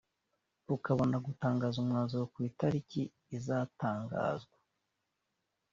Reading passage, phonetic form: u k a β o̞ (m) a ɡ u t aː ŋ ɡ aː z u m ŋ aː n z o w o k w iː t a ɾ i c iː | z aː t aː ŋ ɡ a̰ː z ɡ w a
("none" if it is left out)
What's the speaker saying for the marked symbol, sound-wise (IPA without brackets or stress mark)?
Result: n